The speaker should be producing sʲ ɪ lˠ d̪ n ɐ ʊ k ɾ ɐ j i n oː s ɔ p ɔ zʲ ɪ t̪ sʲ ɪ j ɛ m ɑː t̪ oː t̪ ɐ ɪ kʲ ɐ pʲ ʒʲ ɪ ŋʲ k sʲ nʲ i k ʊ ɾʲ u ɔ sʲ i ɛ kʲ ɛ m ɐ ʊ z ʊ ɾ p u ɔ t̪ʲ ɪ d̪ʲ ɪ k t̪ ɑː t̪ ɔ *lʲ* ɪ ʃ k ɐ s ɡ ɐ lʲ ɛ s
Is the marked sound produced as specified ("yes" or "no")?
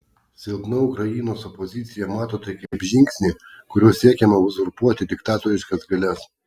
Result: no